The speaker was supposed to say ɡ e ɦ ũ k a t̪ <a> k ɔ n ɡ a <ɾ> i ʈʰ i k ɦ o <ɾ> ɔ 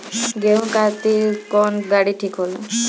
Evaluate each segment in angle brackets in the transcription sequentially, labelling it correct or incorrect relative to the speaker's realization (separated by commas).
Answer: incorrect, incorrect, incorrect